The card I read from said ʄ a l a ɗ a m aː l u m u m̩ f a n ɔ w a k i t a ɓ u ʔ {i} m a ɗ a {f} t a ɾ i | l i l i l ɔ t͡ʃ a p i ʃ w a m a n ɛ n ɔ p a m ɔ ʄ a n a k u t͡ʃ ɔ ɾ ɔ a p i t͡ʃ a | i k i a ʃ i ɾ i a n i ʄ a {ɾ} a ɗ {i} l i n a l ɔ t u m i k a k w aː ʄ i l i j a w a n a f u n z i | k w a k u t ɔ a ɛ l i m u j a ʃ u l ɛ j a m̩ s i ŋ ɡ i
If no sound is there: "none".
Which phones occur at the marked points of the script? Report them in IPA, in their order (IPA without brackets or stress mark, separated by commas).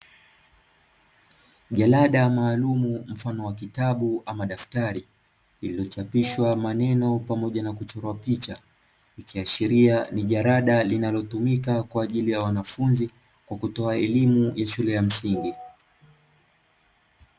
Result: a, f, ɾ, a